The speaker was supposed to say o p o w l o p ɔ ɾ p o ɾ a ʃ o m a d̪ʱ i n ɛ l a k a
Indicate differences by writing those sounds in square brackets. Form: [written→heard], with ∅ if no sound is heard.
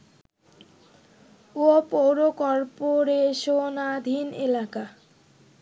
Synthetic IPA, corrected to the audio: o p o w [l→ɾ] o [p→k] ɔ ɾ p o ɾ [a→e] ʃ o [m→n] a d̪ʱ i n [ɛ→e] l a k a